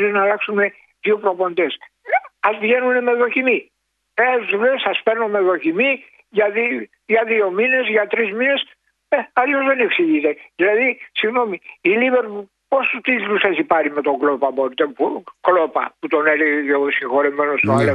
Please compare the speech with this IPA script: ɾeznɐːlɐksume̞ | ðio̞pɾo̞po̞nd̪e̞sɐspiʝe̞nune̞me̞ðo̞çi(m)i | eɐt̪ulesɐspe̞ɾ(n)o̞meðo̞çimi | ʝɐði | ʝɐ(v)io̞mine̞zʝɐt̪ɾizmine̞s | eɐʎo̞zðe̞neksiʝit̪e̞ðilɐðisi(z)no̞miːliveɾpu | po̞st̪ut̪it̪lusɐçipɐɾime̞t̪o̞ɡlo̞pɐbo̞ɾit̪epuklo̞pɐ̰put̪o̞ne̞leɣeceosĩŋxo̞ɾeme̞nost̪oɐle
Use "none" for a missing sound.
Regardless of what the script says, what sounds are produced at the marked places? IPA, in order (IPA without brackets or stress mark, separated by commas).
m, n, ð, ɣ